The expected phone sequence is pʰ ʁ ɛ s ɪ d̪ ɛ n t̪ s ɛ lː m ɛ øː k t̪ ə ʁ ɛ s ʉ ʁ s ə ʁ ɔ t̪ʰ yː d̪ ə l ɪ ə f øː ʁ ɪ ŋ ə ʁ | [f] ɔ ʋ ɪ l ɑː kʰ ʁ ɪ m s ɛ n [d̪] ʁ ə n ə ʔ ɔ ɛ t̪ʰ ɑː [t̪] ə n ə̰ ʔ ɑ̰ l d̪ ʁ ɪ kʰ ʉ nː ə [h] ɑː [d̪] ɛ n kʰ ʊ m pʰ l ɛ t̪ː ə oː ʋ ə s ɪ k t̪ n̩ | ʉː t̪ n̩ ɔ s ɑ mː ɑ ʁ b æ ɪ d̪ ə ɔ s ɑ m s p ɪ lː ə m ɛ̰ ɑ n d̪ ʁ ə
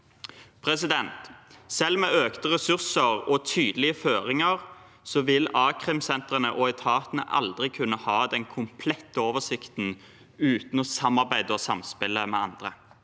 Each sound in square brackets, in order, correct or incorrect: incorrect, incorrect, correct, correct, correct

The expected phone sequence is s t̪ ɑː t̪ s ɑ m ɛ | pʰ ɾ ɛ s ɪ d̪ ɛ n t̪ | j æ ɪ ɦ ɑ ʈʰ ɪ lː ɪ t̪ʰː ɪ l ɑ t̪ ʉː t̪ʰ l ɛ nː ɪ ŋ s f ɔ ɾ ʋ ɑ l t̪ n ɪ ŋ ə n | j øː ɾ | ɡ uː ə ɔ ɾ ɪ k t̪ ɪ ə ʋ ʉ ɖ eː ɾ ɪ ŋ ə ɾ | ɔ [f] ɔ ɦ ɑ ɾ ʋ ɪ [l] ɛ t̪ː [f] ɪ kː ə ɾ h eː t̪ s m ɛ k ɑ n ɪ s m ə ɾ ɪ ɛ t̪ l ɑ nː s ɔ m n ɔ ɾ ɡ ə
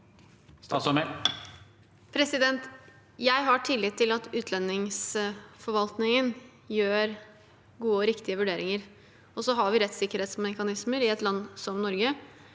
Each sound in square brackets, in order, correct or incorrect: incorrect, incorrect, incorrect

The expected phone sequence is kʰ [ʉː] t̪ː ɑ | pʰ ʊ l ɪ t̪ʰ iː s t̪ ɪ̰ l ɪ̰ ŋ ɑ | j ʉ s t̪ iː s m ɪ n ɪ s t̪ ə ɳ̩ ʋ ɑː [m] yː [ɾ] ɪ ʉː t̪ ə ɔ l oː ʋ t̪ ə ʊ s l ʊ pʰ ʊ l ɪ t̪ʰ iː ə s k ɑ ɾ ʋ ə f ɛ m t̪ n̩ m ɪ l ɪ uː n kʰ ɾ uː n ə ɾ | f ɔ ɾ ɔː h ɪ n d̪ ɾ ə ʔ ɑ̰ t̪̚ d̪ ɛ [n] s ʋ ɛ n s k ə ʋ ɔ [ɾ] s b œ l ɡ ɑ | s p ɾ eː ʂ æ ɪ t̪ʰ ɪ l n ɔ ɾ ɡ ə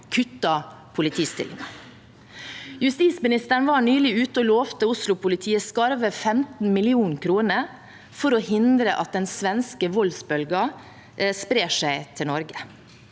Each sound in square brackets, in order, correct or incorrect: incorrect, incorrect, incorrect, correct, incorrect

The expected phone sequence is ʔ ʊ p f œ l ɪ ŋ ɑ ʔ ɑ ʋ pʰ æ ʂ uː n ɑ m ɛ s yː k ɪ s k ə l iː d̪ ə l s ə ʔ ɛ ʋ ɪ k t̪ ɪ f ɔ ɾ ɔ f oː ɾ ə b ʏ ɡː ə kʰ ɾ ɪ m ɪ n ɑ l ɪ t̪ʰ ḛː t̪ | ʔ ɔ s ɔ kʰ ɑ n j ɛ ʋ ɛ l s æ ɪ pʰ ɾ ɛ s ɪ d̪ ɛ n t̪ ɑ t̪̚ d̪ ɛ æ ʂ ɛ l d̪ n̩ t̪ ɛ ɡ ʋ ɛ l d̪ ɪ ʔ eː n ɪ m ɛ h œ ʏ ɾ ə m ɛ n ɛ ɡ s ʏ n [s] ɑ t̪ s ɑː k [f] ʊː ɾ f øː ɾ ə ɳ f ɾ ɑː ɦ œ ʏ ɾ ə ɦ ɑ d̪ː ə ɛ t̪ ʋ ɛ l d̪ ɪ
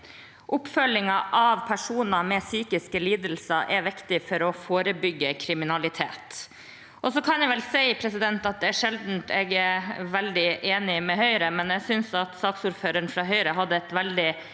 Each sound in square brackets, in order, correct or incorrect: correct, incorrect

